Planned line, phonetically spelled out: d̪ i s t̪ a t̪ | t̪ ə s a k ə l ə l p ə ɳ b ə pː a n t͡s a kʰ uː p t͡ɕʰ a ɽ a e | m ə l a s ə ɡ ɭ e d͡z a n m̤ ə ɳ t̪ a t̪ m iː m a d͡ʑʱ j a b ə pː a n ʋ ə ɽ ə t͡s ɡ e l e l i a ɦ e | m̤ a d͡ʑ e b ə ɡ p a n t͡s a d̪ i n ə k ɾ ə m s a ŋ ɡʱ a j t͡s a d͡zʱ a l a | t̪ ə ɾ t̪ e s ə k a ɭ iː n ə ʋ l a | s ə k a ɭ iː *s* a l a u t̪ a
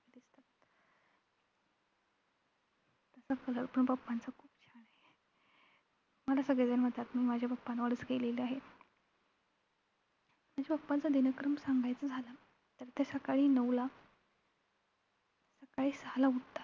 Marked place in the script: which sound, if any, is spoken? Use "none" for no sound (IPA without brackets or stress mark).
s